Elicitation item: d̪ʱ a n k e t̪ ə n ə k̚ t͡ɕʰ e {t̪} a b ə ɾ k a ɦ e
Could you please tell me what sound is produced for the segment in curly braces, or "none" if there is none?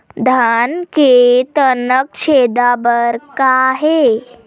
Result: d̪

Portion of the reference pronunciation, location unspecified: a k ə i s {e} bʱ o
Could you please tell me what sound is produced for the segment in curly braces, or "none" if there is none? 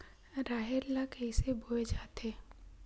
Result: e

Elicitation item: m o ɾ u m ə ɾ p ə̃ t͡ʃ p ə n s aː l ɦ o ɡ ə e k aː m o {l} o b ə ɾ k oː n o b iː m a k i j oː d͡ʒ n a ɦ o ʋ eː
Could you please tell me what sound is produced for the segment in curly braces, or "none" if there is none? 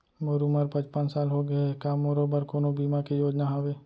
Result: ɾ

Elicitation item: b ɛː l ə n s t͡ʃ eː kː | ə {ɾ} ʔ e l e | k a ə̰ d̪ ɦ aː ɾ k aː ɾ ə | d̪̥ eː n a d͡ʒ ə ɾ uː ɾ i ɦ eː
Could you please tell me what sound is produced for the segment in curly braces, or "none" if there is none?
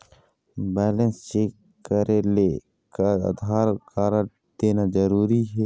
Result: ɾ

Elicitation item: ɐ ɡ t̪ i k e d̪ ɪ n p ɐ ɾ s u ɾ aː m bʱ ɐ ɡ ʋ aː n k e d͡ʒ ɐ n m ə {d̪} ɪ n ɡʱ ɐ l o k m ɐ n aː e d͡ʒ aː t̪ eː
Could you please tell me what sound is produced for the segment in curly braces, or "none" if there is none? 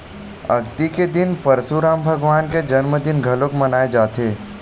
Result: d̪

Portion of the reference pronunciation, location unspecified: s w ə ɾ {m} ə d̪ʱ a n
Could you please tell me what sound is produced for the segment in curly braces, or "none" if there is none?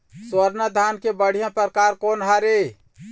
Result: n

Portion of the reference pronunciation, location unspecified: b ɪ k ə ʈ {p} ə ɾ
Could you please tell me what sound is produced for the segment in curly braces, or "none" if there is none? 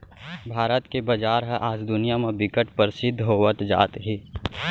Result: p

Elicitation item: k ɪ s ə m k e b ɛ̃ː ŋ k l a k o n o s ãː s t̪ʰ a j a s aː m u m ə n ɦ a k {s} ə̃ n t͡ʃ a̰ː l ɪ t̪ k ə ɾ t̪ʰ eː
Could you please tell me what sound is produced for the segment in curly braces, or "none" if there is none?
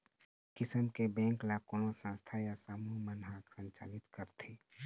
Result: s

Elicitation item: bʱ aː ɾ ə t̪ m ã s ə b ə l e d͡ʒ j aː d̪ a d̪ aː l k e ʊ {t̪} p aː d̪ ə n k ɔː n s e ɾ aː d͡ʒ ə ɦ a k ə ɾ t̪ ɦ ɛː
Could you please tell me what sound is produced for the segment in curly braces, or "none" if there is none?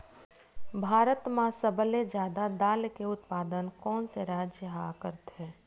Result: t̪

